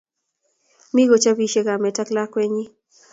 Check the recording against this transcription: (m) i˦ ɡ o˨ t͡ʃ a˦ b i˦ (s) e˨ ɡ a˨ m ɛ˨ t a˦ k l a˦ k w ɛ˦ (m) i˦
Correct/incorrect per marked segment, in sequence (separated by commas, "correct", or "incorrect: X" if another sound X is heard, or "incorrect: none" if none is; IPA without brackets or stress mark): correct, incorrect: ʃ, incorrect: ɲ